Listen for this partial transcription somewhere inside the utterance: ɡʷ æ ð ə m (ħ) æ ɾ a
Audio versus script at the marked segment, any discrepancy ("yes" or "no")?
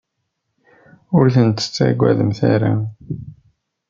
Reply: yes